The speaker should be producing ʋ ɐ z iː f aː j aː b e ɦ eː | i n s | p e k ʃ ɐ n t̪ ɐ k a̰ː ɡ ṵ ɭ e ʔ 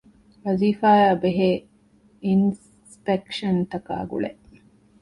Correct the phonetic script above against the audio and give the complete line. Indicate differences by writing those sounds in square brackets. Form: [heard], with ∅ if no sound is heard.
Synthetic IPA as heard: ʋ ɐ z iː f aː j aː b e ɦ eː | i n s | p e k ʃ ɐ n t̪ ɐ k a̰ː ɡ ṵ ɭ e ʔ